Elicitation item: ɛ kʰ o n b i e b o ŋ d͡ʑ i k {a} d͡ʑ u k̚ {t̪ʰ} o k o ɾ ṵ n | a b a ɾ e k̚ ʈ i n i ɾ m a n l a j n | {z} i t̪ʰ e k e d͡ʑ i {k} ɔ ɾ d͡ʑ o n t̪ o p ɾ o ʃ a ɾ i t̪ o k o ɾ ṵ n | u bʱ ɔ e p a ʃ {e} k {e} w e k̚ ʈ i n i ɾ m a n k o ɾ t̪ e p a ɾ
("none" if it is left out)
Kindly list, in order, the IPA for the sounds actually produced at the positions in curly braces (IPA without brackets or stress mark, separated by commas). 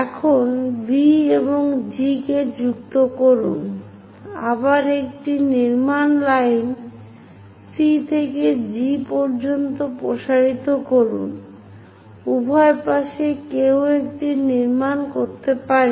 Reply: e, t̪, s, p, e, e